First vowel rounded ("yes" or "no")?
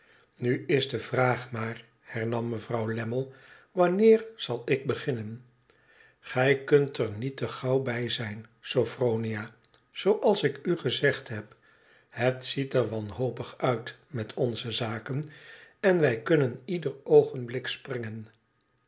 yes